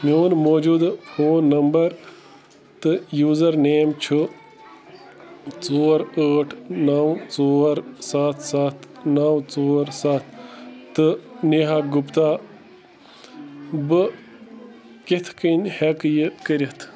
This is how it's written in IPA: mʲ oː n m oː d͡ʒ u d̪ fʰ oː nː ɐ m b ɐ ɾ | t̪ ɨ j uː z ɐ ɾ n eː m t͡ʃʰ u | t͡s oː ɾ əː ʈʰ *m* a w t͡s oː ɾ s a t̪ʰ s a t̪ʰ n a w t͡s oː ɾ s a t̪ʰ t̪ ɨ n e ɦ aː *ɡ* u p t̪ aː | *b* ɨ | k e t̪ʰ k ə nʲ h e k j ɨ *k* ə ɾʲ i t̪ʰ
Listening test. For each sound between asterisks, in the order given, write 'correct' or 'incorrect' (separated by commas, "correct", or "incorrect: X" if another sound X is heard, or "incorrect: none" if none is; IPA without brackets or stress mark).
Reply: incorrect: n, correct, correct, correct